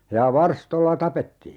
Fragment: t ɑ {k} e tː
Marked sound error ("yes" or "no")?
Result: yes